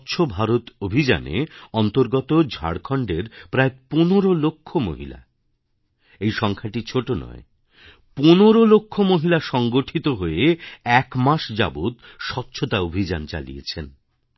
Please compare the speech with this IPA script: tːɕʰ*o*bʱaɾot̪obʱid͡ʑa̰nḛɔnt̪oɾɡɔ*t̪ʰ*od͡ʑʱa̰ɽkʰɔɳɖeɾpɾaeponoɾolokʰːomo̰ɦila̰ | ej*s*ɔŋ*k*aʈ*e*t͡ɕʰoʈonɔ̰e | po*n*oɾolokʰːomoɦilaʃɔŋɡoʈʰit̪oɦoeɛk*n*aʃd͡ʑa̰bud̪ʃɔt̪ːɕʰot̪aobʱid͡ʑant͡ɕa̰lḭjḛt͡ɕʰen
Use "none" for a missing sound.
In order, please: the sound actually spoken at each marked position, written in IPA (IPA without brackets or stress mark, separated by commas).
o, t̪, ʃ, kʰ, i, n, m